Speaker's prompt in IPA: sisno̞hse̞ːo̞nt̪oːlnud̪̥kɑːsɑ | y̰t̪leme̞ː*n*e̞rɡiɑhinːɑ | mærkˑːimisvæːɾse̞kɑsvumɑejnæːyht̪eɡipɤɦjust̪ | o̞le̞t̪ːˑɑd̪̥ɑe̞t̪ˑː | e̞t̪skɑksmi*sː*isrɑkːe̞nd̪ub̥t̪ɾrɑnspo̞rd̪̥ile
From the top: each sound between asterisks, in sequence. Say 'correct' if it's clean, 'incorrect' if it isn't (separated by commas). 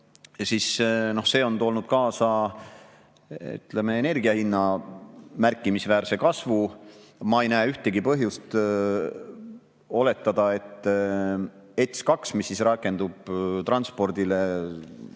correct, correct